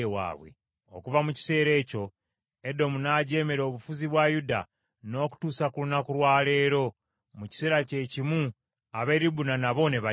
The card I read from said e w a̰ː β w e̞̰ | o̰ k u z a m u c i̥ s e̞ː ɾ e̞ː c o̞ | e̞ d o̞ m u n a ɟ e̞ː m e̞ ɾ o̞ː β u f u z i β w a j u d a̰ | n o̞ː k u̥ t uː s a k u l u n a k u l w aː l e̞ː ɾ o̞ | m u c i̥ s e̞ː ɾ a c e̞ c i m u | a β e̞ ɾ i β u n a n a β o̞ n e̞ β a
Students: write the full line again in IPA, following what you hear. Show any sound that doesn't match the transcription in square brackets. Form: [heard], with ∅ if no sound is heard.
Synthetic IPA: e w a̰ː β w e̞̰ | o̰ k u [v] a m u c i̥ s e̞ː ɾ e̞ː c o̞ | e̞ d o̞ m u n a ɟ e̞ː m e̞ ɾ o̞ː β u f u z i β w a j u d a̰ | n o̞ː k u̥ t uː s a k u l u n a k u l w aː l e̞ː ɾ o̞ | m u c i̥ s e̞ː ɾ a c e̞ c i m u | a β e̞ ɾ i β u n a n a β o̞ n e̞ β a